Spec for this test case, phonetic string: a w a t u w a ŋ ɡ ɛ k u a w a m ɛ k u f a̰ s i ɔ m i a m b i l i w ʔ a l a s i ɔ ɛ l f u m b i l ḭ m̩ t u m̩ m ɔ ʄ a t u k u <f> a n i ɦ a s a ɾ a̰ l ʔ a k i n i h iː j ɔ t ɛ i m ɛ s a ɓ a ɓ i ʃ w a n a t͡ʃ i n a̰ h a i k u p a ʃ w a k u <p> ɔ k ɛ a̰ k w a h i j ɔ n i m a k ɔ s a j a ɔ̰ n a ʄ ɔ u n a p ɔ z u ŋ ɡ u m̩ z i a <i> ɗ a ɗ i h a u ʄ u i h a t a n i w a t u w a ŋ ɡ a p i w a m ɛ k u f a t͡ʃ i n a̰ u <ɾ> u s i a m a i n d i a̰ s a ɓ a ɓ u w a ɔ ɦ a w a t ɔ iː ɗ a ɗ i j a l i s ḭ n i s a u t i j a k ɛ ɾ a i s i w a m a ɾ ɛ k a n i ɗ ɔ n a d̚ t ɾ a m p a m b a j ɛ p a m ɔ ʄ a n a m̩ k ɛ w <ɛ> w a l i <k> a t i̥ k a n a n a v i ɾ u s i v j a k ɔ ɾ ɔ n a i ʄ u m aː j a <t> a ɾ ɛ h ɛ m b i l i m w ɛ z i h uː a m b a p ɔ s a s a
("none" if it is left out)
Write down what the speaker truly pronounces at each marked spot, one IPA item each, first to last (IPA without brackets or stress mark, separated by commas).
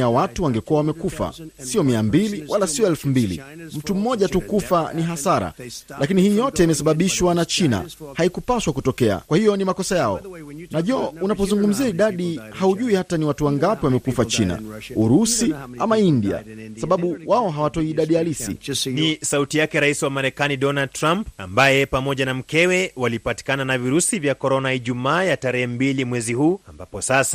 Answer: f, t, i, ɾ, ɛ, p, t